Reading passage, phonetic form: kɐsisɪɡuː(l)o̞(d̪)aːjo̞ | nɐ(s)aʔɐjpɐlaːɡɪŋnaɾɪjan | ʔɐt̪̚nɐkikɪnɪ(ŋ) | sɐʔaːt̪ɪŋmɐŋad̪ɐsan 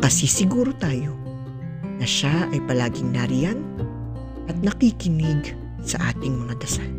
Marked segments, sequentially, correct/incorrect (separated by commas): incorrect, incorrect, incorrect, incorrect